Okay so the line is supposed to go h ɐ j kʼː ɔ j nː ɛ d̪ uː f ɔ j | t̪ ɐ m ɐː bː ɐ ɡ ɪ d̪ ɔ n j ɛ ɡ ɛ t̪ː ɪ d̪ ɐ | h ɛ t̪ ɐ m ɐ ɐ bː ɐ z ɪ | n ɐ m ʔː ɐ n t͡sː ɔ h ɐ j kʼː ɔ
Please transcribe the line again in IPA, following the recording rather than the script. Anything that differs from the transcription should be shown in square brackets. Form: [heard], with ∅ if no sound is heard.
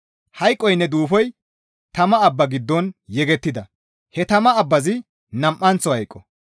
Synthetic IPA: h ɐ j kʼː ɔ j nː ɛ d̪ uː f ɔ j | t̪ ɐ m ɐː bː ɐ ɡ ɪ [d̪ː] ɔ n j ɛ ɡ ɛ t̪ː ɪ d̪ ɐ | h ɛ t̪ ɐ m ɐ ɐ bː ɐ z ɪ | n ɐ m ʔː ɐ n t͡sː ɔ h ɐ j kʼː ɔ